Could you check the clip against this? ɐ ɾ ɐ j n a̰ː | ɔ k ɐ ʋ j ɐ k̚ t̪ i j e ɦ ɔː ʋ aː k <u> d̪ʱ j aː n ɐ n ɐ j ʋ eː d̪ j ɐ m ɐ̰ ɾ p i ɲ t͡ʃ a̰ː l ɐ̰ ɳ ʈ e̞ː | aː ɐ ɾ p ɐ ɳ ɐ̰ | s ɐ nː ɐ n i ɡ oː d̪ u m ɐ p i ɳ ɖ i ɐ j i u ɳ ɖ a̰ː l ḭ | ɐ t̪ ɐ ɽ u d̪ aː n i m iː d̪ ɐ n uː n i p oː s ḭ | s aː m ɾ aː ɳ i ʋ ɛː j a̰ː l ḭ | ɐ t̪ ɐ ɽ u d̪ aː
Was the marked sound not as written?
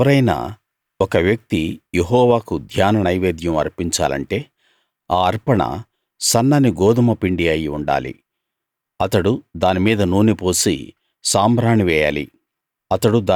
no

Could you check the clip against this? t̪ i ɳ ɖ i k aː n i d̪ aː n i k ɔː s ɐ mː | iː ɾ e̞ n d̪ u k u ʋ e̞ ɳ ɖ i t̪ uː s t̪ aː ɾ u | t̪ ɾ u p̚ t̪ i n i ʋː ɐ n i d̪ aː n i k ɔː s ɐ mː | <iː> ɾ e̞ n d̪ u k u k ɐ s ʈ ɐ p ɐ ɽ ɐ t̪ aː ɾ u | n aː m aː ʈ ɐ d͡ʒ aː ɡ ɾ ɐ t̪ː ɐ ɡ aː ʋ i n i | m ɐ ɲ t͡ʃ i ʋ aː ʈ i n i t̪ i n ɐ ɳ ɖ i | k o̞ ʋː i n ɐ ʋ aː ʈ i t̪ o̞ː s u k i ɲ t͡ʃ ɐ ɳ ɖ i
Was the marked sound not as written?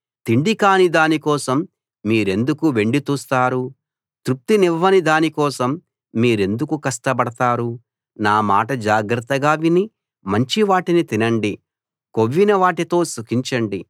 no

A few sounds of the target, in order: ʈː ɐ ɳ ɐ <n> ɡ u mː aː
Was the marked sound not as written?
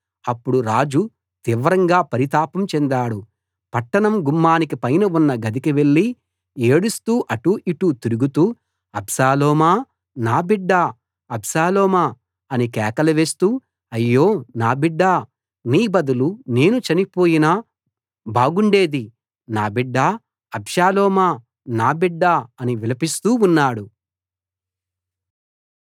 yes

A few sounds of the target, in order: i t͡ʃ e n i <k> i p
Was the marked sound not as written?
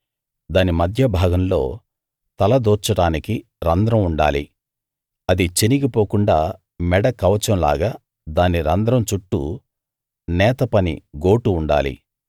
yes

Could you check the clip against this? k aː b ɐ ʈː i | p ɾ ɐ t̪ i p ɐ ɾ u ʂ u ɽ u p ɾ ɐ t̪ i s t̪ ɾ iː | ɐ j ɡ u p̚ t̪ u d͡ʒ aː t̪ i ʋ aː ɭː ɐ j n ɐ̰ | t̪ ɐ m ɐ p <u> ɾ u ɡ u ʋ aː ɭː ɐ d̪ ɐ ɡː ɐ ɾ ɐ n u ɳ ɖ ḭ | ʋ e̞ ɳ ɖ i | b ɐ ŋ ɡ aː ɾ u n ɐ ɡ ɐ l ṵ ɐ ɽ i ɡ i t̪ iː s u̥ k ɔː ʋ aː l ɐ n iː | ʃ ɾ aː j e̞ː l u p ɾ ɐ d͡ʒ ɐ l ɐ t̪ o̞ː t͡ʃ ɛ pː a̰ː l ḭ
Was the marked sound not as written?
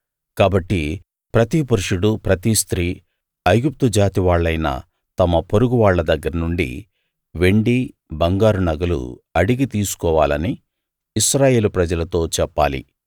yes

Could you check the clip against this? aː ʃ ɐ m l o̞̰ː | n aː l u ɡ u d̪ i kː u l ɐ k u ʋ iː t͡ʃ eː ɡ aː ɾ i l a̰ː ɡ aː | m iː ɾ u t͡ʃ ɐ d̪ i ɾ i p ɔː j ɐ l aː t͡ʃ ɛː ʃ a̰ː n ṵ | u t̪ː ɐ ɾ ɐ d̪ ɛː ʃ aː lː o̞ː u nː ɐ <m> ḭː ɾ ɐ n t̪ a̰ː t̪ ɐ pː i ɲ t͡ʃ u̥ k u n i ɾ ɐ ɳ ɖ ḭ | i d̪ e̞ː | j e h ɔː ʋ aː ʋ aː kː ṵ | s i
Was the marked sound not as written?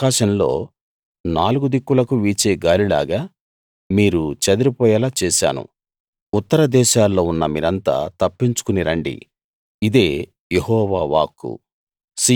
no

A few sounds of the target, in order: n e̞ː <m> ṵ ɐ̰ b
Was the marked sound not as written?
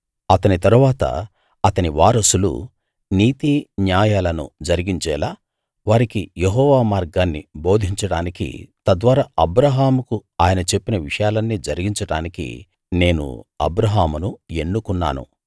yes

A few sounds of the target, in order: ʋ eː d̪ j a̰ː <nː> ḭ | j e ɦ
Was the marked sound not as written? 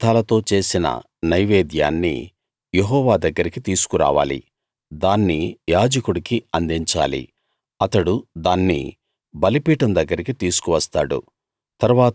no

